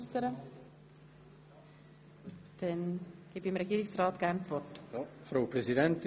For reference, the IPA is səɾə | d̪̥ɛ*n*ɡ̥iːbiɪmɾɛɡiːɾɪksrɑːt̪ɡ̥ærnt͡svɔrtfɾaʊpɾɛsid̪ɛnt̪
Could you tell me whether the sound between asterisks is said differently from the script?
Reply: no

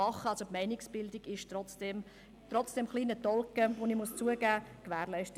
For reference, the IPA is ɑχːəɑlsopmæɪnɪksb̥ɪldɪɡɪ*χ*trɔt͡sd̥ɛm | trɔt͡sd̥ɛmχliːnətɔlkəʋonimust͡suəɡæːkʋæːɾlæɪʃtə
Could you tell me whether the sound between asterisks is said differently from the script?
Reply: yes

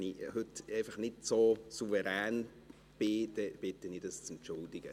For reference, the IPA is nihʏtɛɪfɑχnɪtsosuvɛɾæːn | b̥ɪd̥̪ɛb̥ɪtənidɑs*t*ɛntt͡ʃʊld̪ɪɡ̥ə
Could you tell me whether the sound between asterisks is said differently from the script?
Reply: yes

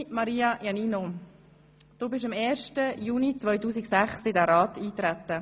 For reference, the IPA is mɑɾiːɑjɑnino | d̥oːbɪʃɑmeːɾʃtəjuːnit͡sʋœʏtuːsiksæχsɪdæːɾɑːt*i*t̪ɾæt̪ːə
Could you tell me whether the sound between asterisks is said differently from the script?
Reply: yes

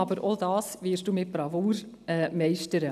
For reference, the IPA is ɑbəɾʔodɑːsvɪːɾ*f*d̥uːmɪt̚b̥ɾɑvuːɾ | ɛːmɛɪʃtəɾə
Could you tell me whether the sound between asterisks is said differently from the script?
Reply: yes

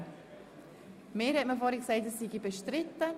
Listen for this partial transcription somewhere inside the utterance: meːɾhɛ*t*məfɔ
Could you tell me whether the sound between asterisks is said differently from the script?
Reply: no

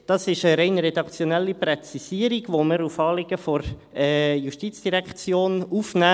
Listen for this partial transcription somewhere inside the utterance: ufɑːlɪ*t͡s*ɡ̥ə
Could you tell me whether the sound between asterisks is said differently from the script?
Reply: yes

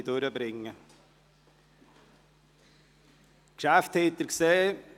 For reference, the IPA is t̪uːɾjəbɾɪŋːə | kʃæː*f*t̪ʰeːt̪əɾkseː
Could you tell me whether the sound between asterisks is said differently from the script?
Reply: no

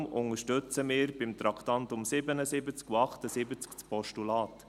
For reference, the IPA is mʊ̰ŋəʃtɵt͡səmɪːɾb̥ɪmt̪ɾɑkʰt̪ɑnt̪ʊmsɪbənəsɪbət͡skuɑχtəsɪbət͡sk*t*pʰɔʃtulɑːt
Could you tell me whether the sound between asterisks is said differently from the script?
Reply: yes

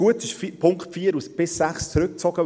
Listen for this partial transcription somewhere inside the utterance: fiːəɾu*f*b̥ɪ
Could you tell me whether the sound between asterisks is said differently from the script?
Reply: yes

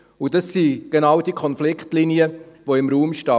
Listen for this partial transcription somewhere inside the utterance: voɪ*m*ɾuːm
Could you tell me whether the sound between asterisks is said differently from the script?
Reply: no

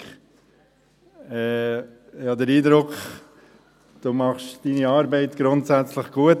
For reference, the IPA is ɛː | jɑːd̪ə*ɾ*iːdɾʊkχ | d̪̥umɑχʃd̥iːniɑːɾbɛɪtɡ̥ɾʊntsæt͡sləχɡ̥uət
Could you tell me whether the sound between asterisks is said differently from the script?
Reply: no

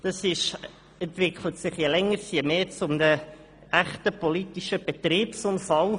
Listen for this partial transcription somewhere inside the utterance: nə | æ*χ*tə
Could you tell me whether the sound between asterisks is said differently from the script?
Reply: no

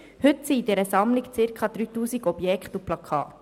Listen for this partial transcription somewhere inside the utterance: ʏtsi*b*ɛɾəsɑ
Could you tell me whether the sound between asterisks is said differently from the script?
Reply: yes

